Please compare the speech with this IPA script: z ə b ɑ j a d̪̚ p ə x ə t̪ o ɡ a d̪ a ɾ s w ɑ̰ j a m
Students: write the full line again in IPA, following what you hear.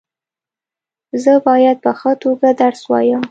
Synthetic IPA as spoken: z ə b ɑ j a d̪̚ p ə x ə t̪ o ɡ a d̪ a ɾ s w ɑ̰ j ə m